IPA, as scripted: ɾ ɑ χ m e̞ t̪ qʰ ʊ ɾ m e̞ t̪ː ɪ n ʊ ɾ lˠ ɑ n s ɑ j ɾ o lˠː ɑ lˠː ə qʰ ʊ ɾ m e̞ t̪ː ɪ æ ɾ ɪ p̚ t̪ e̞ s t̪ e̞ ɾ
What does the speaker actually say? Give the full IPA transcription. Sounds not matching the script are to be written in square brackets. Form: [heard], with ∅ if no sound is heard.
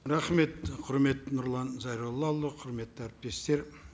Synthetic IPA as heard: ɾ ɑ χ m e̞ t̪ qʰ ʊ ɾ m e̞ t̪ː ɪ n ʊ ɾ lˠ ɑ n [z] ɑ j ɾ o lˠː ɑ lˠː ə qʰ ʊ ɾ m e̞ t̪ː ɪ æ ɾ ɪ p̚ t̪ e̞ s t̪ e̞ ɾ